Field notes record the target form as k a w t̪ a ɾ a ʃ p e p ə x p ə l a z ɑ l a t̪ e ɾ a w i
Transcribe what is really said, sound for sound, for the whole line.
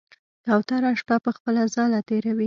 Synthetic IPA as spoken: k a w t̪ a ɾ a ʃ p a p ə x p ə l a z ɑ l a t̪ e ɾ a w i